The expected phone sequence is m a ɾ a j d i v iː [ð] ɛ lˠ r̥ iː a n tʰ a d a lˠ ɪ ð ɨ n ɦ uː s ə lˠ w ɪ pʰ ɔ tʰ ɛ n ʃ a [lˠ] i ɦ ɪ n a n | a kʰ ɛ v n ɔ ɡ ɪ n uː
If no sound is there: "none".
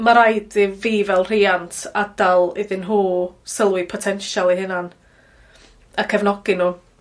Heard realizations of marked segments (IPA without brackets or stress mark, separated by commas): v, lˠ